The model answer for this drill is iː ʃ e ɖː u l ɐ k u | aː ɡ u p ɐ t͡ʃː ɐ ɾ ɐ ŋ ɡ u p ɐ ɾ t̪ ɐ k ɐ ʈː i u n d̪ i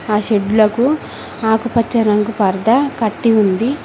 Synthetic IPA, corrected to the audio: aː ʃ e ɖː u l ɐ k u | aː k u p ɐ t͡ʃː ɐ ɾ ɐ ŋ ɡ u p ɐ ɾ d̪ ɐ k ɐ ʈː i u n d̪ i

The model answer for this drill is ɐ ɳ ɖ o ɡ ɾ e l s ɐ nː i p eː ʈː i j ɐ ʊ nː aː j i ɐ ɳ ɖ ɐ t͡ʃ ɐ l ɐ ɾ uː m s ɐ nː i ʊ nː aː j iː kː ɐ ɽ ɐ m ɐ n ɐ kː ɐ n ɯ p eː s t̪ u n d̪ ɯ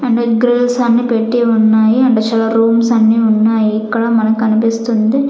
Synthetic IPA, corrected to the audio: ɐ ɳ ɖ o ɡ ɾ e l s ɐ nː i p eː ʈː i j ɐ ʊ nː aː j i ɐ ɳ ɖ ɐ t͡ʃ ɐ l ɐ ɾ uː m s ɐ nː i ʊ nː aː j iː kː ɐ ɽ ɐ m ɐ n ɐ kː ɐ n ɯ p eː s t̪ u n d̪ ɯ

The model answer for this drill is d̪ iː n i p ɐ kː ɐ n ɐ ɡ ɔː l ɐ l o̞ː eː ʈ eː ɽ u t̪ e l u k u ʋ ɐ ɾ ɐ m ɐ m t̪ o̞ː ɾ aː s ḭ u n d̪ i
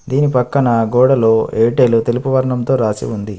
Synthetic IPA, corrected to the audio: d̪ iː n i p ɐ kː ɐ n ɐ ɡ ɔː ɽ ɐ l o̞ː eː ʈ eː l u t̪ e l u p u ʋ ɐ ɾ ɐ ɳ ɐ m t̪ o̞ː ɾ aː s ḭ u n d̪ i

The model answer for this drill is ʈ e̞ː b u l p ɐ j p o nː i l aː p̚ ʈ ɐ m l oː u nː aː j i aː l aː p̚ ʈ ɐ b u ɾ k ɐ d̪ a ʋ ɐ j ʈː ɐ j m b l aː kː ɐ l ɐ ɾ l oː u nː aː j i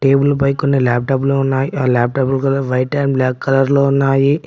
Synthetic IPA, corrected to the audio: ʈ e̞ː b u l p ɐ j k o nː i l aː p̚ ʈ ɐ b l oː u nː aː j i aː l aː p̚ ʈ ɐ b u l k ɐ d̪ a ʋ ɐ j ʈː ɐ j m b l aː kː ɐ l ɐ ɾ l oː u nː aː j i

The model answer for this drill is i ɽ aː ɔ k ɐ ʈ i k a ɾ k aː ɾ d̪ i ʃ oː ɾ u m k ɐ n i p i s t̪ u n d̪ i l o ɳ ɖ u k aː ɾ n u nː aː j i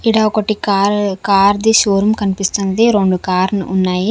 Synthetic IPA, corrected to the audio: i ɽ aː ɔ k ɐ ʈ i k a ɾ k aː ɾ d̪ i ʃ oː ɾ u m k ɐ n i p i s t̪ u n d̪ i ɾ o ɳ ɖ u k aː ɾ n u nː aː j i

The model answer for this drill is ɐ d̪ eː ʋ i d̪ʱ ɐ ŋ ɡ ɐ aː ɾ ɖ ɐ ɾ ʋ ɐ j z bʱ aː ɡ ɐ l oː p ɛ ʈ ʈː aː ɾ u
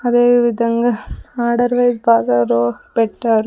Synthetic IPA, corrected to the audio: ɐ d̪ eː ʋ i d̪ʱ ɐ ŋ ɡ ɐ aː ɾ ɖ ɐ ɾ ʋ ɐ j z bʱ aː ɡ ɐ ɾ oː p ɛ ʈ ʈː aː ɾ u

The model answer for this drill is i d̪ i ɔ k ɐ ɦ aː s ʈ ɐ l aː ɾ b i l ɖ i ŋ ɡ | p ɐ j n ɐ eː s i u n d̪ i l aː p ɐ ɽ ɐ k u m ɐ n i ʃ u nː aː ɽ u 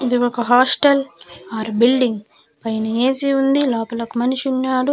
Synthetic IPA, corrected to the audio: i d̪ i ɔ k ɐ ɦ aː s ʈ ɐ l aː ɾ b i l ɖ i ŋ ɡ | p ɐ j n ɐ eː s i u n d̪ i l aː p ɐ l ɐ k u m ɐ n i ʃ u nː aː ɽ u

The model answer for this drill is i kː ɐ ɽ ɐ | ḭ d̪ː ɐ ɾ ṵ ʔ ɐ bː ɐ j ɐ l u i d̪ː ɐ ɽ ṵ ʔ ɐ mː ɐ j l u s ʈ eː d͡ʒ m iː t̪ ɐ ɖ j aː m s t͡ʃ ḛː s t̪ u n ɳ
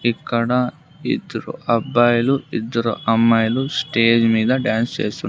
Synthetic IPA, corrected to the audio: i kː ɐ ɽ ɐ | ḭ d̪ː ɐ ɾ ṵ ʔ ɐ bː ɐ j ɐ l u i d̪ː ɐ ɾ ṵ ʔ ɐ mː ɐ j l u s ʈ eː d͡ʒ m iː d̪ ɐ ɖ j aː n s t͡ʃ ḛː s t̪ u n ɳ

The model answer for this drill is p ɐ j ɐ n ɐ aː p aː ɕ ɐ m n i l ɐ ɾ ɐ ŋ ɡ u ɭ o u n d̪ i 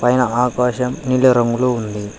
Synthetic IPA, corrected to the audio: p ɐ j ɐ n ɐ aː k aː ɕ ɐ m n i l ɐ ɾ ɐ ŋ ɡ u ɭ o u n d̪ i

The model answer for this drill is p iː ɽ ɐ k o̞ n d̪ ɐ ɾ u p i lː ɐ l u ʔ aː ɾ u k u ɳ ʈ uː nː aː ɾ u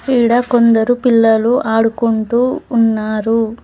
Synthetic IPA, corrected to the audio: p iː ɽ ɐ k o̞ n d̪ ɐ ɾ u p i lː ɐ l u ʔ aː ɽ u k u ɳ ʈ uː nː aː ɾ u

